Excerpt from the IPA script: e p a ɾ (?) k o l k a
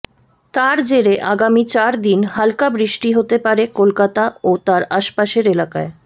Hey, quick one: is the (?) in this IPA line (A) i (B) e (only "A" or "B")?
B